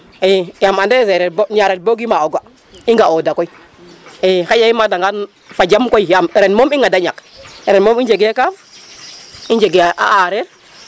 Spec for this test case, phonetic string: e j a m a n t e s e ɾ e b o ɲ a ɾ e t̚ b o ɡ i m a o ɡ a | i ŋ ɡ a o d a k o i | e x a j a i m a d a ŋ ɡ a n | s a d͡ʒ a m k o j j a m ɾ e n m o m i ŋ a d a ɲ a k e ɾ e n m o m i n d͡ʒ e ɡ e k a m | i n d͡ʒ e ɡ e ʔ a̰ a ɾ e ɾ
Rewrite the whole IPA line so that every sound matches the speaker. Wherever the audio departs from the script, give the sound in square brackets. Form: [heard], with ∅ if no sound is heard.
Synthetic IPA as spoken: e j a m a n [d] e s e ɾ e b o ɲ a ɾ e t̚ b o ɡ i m a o ɡ a | i ŋ ɡ a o d a k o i | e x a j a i m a d a ŋ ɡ a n | [f] a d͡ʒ a m k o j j a m ɾ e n m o m i ŋ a d a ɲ a k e ɾ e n m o m i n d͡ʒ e ɡ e k a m | i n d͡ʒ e ɡ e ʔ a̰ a ɾ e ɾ